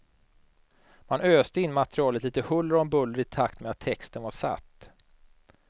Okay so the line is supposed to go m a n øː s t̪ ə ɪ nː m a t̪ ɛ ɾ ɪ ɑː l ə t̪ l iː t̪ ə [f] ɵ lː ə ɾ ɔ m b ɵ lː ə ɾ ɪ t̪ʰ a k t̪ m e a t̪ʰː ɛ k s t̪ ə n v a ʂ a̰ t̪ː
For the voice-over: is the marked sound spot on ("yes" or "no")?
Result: no